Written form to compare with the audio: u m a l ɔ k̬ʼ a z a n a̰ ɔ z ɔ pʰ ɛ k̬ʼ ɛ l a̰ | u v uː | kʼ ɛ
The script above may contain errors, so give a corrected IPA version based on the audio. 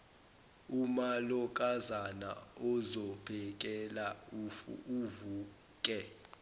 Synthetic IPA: u m a l ɔ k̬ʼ a z a n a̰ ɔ z ɔ pʰ ɛ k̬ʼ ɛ l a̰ | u v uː | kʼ ɛ